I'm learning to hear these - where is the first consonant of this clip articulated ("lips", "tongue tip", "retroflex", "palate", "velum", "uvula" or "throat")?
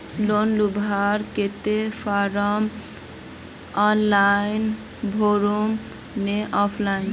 tongue tip